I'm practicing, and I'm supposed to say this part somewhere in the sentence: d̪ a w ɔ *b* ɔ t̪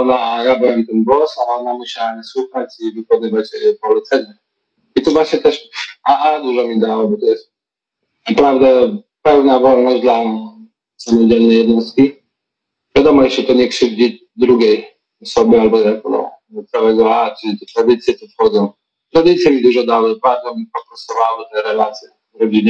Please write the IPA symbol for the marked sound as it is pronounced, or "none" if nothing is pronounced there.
b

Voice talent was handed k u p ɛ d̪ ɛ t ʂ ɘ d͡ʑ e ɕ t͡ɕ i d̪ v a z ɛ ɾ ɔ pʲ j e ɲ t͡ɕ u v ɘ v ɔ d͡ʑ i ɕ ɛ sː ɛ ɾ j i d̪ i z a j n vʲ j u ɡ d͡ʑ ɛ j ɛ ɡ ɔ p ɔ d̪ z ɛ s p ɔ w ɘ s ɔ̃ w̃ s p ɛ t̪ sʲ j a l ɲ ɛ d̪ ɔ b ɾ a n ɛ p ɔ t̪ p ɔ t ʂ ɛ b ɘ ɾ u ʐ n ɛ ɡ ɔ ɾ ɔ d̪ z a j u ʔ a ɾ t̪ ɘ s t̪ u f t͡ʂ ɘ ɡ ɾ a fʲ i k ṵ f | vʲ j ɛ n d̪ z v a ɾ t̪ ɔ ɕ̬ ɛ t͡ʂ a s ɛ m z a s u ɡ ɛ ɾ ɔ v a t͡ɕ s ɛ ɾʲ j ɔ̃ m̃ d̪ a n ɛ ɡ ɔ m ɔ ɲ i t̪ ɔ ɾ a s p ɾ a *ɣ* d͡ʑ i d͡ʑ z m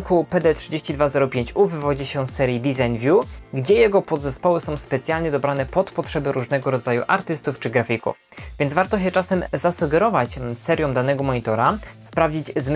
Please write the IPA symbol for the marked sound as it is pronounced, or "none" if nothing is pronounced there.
v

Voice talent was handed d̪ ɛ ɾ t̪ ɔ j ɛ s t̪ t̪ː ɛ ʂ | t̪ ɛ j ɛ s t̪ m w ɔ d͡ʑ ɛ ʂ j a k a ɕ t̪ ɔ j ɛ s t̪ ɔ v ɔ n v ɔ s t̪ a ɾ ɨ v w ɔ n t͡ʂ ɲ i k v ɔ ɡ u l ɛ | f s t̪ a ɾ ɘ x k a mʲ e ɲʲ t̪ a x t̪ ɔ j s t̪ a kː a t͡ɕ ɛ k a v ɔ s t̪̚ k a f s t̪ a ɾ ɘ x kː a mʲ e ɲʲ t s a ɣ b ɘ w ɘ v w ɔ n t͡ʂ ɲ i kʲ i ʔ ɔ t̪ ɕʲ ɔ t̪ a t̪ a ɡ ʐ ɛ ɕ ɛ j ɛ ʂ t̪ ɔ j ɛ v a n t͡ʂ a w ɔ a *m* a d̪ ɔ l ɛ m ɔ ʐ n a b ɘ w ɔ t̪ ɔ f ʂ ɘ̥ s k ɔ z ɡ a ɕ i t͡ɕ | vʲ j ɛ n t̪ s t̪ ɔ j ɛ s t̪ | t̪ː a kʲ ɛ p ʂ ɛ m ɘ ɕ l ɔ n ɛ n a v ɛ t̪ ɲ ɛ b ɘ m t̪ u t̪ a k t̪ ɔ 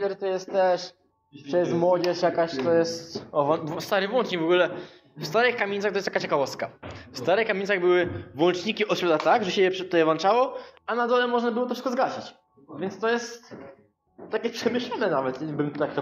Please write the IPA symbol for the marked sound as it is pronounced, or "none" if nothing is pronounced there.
n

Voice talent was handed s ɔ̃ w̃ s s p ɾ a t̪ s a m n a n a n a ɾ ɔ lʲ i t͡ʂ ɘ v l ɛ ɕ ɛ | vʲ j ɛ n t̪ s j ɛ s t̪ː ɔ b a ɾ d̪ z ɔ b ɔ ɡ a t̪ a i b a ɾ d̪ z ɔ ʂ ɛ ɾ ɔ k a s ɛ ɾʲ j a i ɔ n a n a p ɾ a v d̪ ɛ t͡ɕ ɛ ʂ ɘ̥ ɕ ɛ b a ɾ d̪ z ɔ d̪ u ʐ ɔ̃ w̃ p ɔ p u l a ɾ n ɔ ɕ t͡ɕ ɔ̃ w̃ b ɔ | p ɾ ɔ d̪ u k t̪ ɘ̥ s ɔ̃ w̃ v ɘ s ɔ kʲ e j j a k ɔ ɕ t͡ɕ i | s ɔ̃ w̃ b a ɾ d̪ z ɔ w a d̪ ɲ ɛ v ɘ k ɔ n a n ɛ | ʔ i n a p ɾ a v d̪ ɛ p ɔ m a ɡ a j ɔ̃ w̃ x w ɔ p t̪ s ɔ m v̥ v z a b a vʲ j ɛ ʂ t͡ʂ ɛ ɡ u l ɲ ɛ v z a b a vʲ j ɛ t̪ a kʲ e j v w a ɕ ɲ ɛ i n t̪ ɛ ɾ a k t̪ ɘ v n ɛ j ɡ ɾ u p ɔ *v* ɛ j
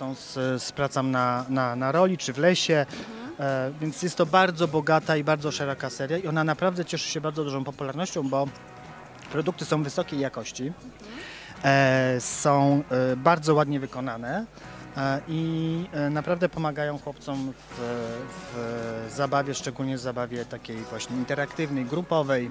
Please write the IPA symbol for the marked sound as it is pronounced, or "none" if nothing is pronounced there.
v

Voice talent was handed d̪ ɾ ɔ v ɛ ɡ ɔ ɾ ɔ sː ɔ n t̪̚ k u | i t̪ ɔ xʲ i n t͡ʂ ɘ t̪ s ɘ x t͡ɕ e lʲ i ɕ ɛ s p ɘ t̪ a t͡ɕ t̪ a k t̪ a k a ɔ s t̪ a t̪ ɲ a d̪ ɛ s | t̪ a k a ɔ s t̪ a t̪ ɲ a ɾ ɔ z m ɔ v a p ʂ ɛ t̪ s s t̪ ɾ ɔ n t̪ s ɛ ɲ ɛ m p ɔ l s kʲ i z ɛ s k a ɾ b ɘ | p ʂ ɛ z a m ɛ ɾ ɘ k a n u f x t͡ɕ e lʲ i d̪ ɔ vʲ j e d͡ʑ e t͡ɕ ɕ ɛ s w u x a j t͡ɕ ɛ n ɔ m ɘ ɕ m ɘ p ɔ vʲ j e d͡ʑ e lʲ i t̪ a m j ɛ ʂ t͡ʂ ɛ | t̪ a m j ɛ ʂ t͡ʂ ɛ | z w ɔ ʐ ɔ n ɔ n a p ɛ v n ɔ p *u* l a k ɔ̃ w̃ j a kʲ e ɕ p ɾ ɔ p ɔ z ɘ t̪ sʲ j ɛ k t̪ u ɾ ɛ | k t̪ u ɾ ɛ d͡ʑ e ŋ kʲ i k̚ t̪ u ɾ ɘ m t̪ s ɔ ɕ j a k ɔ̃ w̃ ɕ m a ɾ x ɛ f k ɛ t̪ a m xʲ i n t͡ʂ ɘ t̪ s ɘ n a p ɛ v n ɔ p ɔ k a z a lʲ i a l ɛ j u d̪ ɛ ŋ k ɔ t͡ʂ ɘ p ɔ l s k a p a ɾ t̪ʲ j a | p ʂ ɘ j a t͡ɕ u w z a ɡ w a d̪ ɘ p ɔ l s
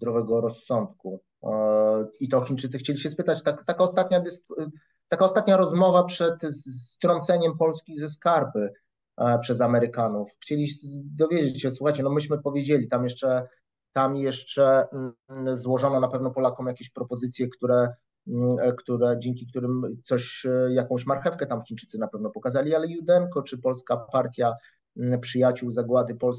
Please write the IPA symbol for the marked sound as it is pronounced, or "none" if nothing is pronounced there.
ɔ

